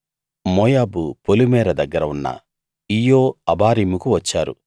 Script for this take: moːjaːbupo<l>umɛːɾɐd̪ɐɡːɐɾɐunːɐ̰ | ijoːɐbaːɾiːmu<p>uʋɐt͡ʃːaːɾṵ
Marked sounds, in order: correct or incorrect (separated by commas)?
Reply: correct, incorrect